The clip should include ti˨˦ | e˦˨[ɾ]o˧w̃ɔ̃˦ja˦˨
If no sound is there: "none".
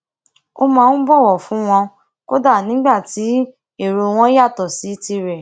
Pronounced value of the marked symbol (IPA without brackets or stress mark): ɾ